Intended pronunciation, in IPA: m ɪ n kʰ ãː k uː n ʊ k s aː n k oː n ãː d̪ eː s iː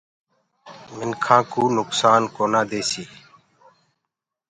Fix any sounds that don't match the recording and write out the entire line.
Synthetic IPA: m ɪ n kʰ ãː k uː n ʊ k s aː n k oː n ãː d̪ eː s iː